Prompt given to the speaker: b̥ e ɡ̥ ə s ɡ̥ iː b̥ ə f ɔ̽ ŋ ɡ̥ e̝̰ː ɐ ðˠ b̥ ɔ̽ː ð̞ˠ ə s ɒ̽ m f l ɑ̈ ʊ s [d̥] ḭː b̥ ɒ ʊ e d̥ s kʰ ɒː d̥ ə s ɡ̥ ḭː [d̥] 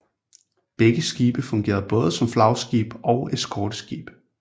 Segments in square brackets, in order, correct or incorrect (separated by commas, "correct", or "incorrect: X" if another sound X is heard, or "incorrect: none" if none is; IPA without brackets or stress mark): incorrect: ɡ̥, incorrect: b̥